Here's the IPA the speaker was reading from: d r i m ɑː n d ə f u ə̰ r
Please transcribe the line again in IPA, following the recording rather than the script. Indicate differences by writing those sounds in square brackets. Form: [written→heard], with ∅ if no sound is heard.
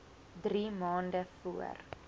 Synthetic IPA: d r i m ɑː n d ə f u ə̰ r